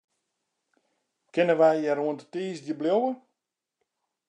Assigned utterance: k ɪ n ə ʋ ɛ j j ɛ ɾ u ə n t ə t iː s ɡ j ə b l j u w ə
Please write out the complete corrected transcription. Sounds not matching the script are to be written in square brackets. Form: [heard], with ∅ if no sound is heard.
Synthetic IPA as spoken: k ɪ n ə ʋ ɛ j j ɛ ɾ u ə n t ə t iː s [d] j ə b l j [o] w ə

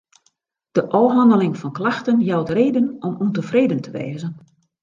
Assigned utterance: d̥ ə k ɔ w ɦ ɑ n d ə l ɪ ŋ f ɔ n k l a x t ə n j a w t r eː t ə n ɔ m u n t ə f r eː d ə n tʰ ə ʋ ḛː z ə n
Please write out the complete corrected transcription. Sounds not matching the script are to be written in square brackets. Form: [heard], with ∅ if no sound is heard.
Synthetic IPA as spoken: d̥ ə [ʔ] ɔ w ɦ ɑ n d ə l ɪ ŋ f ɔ n k l a x t ə n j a w t r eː [d] ə n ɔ m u n t ə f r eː d ə n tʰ ə ʋ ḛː z ə n

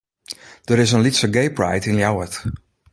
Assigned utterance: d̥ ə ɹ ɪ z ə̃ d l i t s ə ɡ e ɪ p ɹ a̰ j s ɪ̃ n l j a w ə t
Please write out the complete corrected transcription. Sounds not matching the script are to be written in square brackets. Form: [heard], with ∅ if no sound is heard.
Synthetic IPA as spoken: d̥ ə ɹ ɪ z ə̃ [n] l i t s ə ɡ e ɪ p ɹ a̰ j [t] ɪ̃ n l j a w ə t

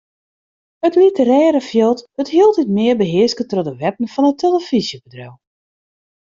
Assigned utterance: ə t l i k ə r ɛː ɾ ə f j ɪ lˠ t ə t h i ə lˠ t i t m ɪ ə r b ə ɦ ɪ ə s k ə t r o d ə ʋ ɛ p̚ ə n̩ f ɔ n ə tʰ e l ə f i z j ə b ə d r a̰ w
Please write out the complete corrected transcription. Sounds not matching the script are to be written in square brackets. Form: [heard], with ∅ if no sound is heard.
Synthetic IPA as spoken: ə t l i [t] ə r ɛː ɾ ə f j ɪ lˠ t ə t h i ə lˠ t i t m ɪ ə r b ə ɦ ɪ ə s k ə t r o d ə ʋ ɛ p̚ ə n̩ f ɔ n ə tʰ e l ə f i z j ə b ə d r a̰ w

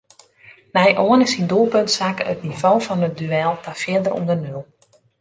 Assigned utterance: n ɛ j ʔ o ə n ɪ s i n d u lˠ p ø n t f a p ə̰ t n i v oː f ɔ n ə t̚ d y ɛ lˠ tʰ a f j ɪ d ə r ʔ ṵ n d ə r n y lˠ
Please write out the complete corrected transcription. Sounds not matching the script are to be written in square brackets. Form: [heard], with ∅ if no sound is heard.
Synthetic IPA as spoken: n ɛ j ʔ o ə n ɪ s i n d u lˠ p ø n t [s] a [k] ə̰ t n i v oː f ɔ n ə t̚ d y ɛ lˠ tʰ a f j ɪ d ə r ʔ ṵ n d ə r n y lˠ

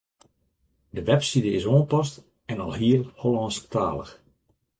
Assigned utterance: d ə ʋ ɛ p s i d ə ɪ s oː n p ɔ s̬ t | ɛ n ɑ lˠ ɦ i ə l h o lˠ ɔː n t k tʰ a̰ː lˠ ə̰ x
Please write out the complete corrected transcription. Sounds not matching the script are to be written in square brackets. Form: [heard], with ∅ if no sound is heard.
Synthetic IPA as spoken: d ə ʋ ɛ p s i d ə ɪ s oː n p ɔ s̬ t | ɛ n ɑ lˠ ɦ i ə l h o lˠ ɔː n [s] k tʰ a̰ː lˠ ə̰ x

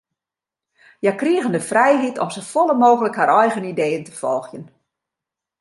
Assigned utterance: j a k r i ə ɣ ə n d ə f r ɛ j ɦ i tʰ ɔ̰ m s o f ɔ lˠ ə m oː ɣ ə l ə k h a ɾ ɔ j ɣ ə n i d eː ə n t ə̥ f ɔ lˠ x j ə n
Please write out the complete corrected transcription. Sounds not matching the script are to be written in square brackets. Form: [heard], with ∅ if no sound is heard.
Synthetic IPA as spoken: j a k r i ə ɣ ə n d ə f r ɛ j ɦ i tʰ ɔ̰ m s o f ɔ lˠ ə m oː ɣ ə l ə k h a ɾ ɔ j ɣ ə n i d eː ə n t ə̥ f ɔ lˠ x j ə n

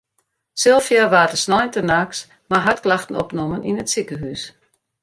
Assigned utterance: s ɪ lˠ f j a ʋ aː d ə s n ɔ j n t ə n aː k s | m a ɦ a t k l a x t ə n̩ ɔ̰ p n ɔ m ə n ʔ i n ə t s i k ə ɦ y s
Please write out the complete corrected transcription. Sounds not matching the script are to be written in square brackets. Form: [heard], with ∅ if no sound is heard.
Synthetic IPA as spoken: s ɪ lˠ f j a ʋ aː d ə s n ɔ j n t ə n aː k s | m a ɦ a t k l a x t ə n̩ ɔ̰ p n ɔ m ə n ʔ i n ə t s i k ə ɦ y s

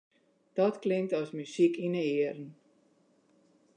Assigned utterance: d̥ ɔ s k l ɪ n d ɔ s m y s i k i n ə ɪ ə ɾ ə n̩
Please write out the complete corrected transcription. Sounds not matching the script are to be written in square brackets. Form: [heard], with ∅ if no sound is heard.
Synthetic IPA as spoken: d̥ ɔ [t] k l ɪ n [t] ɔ s m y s i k i n ə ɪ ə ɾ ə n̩

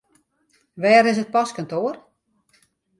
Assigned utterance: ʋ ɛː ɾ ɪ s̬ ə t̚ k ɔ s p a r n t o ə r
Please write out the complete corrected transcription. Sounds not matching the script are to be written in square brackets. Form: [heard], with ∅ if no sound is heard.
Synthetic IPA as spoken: ʋ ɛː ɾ ɪ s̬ ə t̚ [p] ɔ s [k] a [∅] n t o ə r

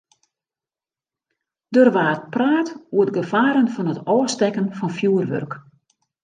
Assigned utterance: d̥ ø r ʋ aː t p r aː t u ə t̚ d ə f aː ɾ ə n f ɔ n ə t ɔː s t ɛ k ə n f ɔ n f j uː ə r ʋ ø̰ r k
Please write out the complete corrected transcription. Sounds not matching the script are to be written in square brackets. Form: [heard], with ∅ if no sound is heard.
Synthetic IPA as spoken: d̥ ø r ʋ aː t p r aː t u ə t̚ [ɡ] ə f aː ɾ ə n f ɔ n ə t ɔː s t ɛ k ə n f ɔ n f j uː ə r ʋ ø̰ r k

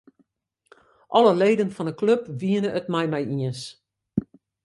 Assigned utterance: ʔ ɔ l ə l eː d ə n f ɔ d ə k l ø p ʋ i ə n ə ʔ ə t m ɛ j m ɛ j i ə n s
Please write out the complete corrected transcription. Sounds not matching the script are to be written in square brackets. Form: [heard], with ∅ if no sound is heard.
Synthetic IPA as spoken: ʔ ɔ l ə l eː d ə n f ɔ [n] ə k l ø p ʋ i ə n ə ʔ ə t m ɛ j m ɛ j i ə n s

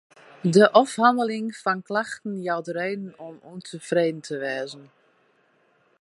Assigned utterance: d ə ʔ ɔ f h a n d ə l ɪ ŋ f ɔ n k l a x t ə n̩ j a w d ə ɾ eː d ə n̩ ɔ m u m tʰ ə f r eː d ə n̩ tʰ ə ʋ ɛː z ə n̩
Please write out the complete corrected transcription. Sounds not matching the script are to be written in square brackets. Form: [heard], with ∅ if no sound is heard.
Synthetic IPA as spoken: d ə ʔ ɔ f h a n d ə l ɪ ŋ f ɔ n k l a x t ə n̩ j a w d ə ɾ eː d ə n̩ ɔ m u [n] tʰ ə f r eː d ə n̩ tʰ ə ʋ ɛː z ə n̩

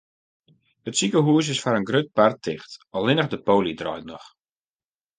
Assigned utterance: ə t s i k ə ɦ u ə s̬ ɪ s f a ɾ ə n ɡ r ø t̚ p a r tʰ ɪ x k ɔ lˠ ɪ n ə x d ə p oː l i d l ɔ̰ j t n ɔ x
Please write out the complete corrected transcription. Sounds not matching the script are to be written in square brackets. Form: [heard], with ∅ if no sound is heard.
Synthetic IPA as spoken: ə t s i k ə ɦ u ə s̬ ɪ s f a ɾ ə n ɡ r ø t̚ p a r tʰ ɪ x [t] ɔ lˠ ɪ n ə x d ə p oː l i d [r] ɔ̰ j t n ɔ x

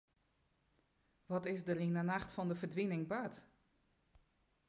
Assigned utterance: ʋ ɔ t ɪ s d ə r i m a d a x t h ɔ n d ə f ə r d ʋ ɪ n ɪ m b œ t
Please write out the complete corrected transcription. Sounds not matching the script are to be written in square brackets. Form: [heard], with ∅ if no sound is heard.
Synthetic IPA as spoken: ʋ ɔ t ɪ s d ə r i [n] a [n] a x t [f] ɔ n d ə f ə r d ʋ [i] n ɪ [ŋ] b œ t

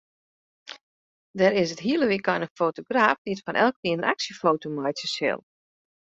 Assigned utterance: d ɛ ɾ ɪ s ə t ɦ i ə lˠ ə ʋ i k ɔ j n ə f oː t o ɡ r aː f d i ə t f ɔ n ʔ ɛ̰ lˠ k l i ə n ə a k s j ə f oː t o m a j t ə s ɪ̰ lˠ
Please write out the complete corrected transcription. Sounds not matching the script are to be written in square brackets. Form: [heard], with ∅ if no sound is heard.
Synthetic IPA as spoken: d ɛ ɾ ɪ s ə t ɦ i ə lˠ ə ʋ i k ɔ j n ə f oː t o ɡ r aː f d i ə t f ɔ n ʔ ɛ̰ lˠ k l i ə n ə a k s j ə f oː t o m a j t ə s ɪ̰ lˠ

